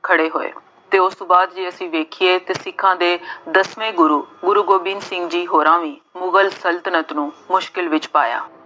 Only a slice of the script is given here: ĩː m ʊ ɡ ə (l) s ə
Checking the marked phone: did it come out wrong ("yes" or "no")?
no